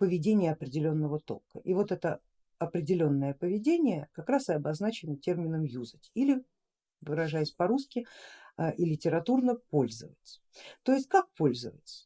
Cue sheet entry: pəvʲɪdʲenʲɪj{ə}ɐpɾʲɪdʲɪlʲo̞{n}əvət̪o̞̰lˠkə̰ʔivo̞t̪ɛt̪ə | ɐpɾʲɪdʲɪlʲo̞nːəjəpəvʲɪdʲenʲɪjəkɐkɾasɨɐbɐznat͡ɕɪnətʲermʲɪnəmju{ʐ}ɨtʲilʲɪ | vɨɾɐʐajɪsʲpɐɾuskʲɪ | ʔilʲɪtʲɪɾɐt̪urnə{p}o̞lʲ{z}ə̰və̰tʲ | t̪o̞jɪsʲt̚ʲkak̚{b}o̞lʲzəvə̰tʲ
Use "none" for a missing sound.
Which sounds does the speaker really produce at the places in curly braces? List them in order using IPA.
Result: ə, nː, z, p, z, p

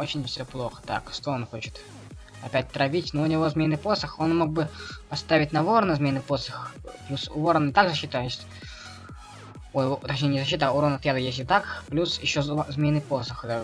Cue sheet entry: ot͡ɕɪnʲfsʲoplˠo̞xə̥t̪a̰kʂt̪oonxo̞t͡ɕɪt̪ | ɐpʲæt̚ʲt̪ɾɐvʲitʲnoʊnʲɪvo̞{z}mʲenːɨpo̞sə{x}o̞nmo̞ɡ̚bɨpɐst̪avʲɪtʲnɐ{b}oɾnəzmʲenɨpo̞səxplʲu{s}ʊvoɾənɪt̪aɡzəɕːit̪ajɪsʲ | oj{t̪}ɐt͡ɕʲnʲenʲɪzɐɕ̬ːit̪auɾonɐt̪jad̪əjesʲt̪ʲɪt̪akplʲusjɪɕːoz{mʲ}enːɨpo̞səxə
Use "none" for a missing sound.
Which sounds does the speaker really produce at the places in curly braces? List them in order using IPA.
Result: z, x, v, s, t̪, mʲ

